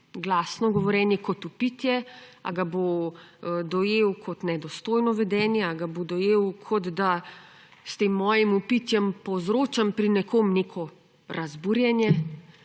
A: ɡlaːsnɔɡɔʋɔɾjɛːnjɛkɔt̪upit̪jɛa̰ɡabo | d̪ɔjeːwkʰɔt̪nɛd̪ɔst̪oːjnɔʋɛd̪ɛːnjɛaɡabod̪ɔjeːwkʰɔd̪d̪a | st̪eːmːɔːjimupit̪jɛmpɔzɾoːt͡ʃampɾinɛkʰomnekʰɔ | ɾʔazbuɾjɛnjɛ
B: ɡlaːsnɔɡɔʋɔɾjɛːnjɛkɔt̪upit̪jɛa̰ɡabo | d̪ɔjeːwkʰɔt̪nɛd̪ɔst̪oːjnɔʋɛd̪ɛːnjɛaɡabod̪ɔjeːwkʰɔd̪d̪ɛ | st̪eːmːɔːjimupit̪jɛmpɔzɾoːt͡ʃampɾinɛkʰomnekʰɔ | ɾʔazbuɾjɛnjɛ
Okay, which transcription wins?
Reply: A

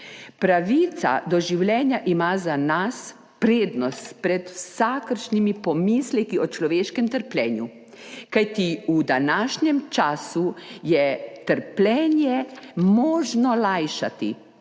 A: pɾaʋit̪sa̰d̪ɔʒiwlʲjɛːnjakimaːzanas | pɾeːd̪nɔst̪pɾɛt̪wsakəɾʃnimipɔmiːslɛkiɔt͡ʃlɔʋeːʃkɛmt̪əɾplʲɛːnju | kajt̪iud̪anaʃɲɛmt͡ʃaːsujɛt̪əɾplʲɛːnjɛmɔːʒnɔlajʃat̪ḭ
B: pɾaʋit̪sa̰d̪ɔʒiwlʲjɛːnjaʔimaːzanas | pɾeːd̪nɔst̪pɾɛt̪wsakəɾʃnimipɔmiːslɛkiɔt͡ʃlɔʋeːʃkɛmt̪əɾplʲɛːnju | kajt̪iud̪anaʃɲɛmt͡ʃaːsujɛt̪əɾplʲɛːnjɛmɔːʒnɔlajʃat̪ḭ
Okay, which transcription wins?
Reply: B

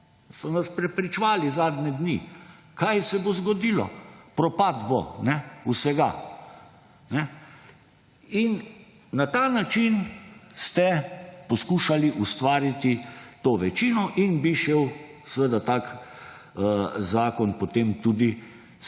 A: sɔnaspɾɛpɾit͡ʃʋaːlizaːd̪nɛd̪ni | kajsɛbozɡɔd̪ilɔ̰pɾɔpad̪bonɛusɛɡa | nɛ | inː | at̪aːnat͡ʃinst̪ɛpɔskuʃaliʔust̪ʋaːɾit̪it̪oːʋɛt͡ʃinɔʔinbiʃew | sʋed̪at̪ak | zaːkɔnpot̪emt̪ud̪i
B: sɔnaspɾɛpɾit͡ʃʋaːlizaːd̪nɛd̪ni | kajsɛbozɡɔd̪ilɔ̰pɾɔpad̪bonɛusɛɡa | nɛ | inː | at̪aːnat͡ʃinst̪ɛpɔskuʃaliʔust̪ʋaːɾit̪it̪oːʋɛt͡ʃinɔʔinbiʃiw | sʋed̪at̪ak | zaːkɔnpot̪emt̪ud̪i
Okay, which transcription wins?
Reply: A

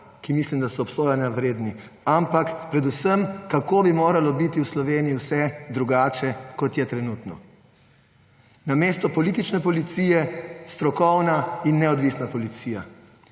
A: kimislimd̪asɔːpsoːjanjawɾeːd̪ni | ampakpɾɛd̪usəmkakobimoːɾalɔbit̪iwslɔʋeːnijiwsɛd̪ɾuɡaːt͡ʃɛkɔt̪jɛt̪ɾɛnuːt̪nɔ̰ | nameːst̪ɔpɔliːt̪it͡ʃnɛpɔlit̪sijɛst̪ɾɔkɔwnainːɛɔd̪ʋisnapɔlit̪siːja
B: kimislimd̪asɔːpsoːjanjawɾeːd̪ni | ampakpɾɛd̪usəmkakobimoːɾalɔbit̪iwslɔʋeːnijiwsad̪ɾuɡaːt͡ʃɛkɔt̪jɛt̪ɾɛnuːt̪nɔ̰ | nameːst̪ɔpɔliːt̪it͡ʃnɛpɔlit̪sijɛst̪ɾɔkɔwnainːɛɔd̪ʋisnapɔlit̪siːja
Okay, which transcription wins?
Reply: A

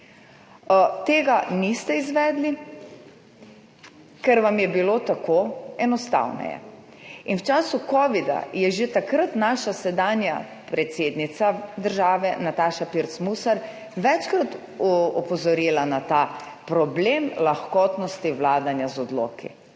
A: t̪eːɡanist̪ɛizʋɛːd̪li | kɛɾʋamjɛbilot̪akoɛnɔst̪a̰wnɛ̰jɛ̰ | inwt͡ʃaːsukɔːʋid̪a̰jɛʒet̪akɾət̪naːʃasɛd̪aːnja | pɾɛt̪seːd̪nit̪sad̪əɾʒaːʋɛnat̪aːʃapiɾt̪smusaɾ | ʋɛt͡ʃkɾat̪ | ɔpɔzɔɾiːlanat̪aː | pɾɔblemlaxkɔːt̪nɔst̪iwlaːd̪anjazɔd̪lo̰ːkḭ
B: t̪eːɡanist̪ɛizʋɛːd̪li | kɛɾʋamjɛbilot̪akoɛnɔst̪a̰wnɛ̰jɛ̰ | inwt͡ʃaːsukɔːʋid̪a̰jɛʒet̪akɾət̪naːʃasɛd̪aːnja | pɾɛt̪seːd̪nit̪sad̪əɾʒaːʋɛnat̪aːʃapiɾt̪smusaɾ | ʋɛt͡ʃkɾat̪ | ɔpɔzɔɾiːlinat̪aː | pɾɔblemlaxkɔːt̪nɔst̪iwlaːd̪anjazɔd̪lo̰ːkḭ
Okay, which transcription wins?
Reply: A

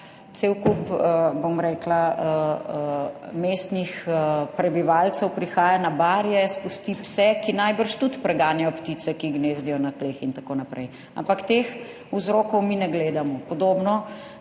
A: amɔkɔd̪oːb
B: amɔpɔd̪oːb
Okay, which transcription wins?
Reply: B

